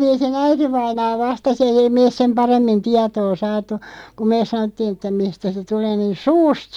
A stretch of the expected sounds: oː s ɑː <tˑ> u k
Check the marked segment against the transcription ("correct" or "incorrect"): correct